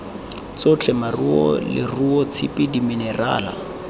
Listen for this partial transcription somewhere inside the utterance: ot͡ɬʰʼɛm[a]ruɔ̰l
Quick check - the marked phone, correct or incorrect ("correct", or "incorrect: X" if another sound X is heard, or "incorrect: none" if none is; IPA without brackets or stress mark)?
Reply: correct